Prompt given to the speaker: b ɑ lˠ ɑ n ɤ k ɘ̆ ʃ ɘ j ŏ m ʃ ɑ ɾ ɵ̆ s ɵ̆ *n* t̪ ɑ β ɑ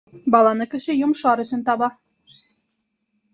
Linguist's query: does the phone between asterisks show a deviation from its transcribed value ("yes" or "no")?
no